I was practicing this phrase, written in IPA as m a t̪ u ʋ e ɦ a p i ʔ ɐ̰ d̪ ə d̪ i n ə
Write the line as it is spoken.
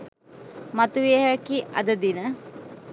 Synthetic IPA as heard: m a t̪ u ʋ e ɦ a k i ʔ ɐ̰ d̪ ə d̪ i n ə